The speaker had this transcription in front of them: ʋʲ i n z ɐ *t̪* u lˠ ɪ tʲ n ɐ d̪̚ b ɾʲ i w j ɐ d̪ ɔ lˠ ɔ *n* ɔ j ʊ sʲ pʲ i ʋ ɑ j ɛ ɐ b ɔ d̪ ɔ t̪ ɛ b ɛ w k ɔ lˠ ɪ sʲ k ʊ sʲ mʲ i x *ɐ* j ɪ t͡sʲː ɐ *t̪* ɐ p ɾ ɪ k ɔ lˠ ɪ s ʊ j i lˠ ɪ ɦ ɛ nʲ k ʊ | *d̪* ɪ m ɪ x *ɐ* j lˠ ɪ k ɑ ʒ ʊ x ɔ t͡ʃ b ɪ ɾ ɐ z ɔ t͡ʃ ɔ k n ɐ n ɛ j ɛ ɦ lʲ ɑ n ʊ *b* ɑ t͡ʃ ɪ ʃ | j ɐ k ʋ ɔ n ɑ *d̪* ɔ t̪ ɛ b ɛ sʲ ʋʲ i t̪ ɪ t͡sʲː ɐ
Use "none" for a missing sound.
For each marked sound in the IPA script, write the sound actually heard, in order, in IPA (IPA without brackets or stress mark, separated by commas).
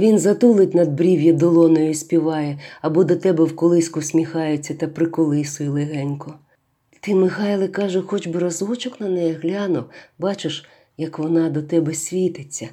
t̪, n, ɑ, t̪, t̪, ɑ, b, d̪